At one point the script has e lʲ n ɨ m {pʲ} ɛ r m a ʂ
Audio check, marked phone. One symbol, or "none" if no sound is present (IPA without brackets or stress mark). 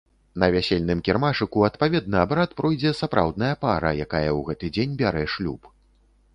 kʲ